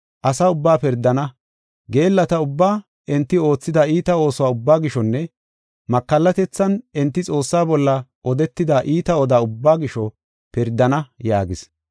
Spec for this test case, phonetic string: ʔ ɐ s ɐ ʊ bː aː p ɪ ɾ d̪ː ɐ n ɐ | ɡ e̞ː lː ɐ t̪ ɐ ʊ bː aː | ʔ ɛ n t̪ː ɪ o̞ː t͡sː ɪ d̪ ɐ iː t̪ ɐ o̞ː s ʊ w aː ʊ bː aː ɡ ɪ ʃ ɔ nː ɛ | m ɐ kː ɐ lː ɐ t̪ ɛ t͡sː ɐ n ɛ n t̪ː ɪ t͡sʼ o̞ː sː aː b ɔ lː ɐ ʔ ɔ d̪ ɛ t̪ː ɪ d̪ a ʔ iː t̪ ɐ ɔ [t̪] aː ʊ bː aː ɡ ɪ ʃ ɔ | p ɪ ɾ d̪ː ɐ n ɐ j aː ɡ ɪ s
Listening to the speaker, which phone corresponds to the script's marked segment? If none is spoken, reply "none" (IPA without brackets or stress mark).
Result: d̪